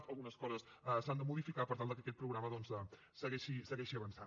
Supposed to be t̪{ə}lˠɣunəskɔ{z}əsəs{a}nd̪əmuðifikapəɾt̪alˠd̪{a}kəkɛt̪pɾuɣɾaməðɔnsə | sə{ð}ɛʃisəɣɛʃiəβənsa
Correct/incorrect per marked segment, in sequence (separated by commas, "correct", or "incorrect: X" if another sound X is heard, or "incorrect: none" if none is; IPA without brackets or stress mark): correct, correct, correct, incorrect: ə, incorrect: ɣ